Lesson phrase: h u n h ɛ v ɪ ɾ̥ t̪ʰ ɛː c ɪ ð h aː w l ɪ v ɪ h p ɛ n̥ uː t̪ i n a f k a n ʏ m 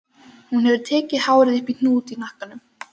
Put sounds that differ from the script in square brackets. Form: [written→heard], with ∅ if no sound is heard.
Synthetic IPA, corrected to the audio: h u n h ɛ v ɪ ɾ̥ t̪ʰ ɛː c ɪ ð h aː w [l→ɾ] ɪ [v→ð] ɪ h p [ɛ→i] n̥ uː t̪ i n a [f→h] k a n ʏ m